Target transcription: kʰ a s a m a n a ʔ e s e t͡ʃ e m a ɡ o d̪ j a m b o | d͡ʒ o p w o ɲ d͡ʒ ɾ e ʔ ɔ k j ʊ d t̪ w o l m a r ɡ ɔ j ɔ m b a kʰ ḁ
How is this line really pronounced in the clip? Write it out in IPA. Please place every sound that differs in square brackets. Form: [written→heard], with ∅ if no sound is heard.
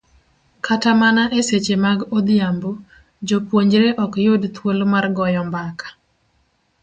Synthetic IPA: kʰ a [s→t] a m a n a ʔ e s e t͡ʃ e m a ɡ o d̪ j a m b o | d͡ʒ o p w o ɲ d͡ʒ ɾ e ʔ ɔ k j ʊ d t̪ w o l m a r ɡ ɔ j ɔ m b a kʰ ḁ